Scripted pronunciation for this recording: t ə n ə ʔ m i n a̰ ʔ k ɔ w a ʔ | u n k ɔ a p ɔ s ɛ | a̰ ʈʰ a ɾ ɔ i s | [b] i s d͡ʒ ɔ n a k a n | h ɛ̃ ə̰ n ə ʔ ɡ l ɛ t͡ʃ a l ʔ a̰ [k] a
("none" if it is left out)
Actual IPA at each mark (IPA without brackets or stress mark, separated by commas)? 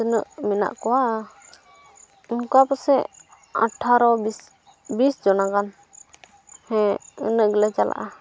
b, ʔ